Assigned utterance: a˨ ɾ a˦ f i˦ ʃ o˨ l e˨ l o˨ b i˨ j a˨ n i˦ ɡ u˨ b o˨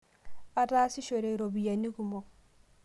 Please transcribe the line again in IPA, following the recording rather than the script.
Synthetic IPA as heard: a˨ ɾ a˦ s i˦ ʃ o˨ ɾ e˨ ɾ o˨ b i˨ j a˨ n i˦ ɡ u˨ m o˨